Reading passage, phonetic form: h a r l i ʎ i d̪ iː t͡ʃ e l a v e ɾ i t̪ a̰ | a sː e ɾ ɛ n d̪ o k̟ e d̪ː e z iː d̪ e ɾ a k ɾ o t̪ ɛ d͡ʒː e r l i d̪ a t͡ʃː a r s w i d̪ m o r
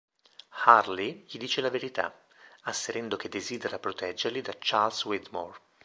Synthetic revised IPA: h a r l i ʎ i d̪ iː t͡ʃ e l a v e ɾ i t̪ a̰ | a sː e ɾ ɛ n d̪ o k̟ e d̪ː e z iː d̪ e ɾ a p ɾ o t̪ ɛ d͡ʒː e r l i d̪ a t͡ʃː a l s w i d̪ m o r